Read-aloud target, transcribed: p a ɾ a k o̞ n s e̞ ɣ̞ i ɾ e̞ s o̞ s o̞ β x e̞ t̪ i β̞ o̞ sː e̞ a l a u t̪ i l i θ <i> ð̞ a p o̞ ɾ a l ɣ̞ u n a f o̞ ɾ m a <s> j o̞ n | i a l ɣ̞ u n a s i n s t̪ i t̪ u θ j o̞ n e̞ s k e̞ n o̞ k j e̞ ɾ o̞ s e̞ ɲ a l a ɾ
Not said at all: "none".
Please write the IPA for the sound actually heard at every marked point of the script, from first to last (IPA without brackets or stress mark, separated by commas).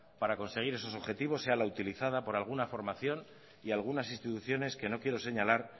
a, θ